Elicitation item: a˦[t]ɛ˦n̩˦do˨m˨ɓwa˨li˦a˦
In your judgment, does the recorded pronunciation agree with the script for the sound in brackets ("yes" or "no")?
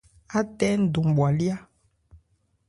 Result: yes